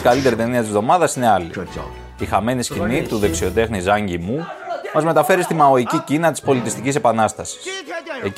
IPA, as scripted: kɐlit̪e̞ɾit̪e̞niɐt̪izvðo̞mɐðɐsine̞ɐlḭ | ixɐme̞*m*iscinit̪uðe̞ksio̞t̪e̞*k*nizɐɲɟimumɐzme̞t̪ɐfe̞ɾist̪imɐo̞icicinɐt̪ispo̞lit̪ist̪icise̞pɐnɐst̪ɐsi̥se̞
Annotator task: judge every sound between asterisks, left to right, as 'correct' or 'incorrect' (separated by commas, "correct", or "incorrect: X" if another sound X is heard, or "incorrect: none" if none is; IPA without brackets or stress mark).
incorrect: n, incorrect: x